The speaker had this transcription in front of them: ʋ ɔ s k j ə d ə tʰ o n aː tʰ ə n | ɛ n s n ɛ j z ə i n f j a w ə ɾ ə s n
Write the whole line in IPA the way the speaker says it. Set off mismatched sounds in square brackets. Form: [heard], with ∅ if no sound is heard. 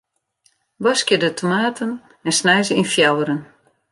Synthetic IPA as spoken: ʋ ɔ s k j ə d ə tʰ o [m] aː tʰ ə n | ɛ n s n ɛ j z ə i n f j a w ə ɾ ə [∅] n